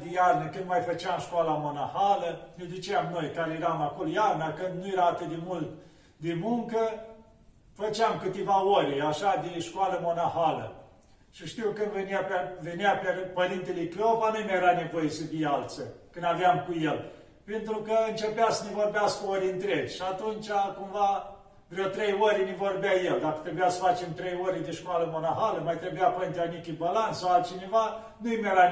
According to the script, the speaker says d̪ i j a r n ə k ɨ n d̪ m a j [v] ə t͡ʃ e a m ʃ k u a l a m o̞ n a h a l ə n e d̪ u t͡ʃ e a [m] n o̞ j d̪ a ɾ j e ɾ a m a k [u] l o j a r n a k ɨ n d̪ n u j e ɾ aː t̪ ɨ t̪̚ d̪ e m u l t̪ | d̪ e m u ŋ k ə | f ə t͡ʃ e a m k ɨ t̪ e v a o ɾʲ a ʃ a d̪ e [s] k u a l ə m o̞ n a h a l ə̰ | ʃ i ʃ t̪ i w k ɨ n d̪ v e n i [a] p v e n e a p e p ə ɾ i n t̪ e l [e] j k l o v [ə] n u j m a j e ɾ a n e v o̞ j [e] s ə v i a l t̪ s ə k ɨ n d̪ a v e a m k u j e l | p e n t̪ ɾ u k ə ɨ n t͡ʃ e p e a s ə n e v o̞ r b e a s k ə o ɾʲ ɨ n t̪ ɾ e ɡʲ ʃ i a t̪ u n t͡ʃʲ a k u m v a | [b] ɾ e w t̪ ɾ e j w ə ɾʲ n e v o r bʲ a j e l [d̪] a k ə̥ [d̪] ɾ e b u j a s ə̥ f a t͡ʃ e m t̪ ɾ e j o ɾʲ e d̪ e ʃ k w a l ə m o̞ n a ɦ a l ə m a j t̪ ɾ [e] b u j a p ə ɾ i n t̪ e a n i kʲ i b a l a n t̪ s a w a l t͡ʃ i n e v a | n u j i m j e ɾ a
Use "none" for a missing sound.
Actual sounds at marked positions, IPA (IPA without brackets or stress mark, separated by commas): f, m, o, ʃ, a, e, a, e, v, d̪, t̪, e